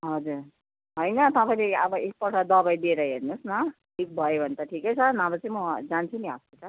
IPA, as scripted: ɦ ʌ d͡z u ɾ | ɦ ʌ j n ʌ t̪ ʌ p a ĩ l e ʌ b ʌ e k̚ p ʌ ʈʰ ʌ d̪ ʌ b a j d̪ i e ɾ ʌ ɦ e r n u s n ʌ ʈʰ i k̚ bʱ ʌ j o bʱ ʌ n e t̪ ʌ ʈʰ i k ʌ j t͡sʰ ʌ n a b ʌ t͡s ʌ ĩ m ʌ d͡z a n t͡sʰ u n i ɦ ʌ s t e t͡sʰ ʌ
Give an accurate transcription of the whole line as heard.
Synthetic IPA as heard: ɦ ʌ d͡z u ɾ | ɦ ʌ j n ʌ t̪ ʌ p a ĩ l e ʌ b ʌ e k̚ p ʌ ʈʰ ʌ d̪ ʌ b a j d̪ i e ɾ ʌ ɦ e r n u s n ʌ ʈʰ i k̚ bʱ ʌ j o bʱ ʌ n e t̪ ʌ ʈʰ i k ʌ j t͡sʰ ʌ n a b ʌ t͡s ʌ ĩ m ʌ d͡z a n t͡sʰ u n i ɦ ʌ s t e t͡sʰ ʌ

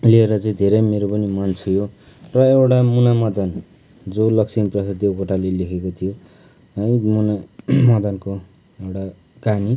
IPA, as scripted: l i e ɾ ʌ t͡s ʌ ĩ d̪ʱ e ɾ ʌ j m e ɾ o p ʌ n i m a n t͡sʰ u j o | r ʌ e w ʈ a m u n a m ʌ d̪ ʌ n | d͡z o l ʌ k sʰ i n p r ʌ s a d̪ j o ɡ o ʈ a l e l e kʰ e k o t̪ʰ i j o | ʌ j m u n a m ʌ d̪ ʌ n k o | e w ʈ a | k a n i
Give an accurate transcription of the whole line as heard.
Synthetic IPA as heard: l i e ɾ ʌ t͡s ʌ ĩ d̪ʱ e ɾ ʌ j m e ɾ o p ʌ n i m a n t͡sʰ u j o | r ʌ e w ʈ a m u n a m ʌ d̪ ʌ n | d͡z o l ʌ k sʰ i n p r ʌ s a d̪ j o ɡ o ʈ a l e l e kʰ e k o t̪ʰ i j o | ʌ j m u n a m ʌ d̪ ʌ n k o | e w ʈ a | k a n i

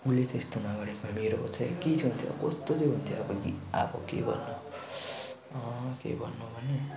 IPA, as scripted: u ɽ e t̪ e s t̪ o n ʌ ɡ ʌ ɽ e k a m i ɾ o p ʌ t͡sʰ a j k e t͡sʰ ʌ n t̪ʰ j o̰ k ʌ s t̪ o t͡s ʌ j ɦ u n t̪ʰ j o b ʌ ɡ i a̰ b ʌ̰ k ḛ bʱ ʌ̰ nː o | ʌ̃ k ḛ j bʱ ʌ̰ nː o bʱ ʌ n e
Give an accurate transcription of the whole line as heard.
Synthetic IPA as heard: u l e t̪ e s t̪ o n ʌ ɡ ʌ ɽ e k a m e ɾ o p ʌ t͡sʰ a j k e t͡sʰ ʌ n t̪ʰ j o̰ k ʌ s t̪ o t͡s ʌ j ɦ u n t̪ʰ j o b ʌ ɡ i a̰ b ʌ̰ k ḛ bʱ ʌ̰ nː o | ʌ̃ k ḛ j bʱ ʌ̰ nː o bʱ ʌ n e

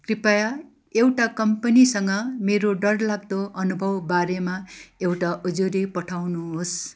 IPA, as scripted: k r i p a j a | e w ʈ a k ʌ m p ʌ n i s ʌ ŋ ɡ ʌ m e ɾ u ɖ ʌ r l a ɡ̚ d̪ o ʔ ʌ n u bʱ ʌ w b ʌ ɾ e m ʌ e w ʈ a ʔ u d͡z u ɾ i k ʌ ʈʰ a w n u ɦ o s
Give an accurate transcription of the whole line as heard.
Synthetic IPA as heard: k r i p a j a | e w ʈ a k ʌ m p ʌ n i s ʌ ŋ ɡ ʌ m e ɾ o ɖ ʌ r l a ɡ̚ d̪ o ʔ ʌ n u bʱ ʌ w b a ɾ e m a e w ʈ a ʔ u d͡z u ɾ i p ʌ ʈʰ a w n u ɦ o s

